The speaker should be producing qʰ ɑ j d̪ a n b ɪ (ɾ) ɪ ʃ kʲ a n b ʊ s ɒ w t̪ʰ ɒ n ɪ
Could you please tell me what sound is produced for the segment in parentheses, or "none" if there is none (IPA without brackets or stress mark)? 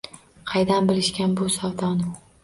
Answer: l